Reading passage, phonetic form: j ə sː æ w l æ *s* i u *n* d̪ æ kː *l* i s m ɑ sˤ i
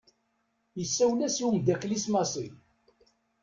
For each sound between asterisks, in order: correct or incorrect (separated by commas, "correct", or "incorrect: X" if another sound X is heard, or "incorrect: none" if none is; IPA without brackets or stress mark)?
correct, incorrect: m, correct